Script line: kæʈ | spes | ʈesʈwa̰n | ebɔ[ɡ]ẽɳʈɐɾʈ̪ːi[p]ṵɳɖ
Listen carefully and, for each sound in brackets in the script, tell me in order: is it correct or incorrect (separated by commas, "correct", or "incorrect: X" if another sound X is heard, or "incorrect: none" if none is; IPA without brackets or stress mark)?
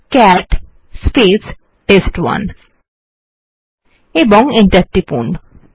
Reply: incorrect: ŋ, correct